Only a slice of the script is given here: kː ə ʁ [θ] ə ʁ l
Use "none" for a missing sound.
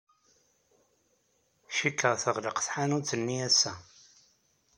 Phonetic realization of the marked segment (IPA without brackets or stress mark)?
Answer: θ